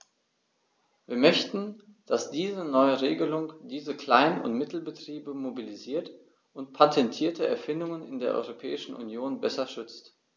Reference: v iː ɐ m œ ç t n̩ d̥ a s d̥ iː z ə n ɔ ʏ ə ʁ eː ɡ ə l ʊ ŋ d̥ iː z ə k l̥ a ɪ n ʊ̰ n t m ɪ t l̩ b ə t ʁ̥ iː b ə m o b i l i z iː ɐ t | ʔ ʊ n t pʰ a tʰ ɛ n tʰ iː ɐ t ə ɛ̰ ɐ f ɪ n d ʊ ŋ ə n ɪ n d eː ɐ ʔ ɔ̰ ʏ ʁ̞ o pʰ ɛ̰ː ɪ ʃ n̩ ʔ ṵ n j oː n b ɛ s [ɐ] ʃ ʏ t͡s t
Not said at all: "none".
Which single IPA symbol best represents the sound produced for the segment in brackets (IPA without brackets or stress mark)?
ɐ